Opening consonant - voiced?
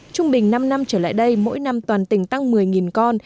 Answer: no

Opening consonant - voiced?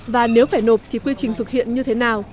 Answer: yes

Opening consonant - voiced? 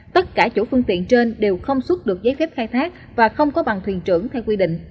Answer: no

